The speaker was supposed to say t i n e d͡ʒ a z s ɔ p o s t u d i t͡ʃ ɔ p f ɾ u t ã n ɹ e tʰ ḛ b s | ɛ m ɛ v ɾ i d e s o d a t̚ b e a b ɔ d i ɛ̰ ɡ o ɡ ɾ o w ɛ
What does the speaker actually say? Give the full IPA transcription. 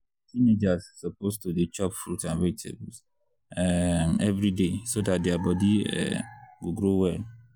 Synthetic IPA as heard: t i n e d͡ʒ a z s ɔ p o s t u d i t͡ʃ ɔ p f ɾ u t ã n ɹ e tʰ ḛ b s | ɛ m ɛ v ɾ i d e s o d a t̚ d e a b ɔ d i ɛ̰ ɡ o ɡ ɾ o w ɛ